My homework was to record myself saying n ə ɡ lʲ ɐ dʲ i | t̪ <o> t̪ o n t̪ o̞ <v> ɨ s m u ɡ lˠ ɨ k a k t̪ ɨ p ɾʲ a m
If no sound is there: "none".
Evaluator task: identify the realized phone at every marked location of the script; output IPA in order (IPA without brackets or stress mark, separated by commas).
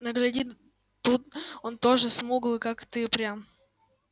u, ʐ